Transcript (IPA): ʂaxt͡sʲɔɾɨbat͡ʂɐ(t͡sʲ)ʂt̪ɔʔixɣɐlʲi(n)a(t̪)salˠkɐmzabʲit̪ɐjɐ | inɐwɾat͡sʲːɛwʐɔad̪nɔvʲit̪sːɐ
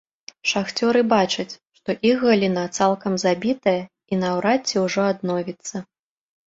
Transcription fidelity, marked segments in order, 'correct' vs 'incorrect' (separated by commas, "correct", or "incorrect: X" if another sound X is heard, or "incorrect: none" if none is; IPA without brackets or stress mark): correct, correct, correct